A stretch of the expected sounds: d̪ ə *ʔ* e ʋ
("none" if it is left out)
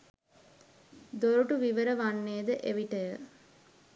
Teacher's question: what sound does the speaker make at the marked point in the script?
ʔ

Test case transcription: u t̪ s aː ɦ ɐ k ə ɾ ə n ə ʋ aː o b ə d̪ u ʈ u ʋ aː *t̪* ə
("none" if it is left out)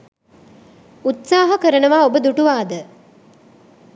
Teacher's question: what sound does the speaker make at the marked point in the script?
d̪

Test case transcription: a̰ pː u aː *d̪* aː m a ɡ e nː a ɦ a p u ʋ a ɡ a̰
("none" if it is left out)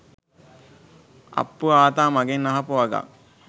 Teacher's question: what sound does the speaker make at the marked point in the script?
t̪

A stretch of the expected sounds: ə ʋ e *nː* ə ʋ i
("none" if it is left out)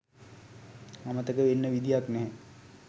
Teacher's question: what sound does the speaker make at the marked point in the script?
nː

